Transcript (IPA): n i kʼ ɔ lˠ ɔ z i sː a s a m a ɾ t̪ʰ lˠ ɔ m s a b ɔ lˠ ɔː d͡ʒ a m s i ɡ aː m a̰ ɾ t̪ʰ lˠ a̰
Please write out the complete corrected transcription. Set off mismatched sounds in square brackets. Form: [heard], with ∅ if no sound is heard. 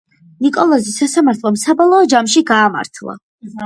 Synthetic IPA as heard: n i kʼ ɔ lˠ ɔ z i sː a s a m a ɾ t̪ʰ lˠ ɔ m s a b ɔ lˠ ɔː d͡ʒ a m [ʃ] i ɡ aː m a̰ ɾ t̪ʰ lˠ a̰